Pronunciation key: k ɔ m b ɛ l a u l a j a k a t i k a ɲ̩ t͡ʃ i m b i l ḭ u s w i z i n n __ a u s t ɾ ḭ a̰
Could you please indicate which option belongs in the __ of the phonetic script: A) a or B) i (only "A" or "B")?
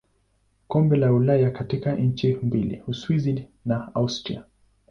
A